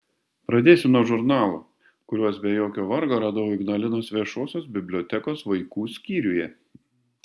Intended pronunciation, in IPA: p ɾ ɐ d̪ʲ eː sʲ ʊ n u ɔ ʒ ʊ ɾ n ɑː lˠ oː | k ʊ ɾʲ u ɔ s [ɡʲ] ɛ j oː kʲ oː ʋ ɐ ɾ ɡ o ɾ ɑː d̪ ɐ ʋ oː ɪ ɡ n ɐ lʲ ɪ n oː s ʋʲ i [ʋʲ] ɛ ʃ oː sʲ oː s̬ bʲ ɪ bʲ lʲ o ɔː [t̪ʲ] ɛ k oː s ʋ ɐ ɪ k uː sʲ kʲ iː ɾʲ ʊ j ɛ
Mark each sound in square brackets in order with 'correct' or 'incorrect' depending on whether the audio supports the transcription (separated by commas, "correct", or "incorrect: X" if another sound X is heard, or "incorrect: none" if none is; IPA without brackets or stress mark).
incorrect: bʲ, incorrect: none, correct